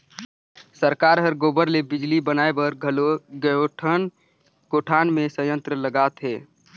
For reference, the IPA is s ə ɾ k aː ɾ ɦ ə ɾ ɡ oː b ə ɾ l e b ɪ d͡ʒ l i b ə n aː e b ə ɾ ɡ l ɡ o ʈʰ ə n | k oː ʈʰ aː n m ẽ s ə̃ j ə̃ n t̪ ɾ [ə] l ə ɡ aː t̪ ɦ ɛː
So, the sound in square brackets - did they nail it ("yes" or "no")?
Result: yes